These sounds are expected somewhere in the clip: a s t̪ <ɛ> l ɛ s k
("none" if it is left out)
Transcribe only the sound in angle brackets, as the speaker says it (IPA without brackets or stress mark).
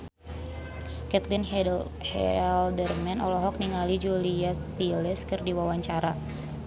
i